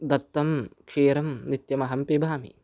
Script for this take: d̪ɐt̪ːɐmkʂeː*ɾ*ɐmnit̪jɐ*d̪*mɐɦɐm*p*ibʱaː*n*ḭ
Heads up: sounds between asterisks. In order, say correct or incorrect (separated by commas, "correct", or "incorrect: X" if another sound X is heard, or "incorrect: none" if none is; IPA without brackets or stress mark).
correct, incorrect: none, correct, incorrect: m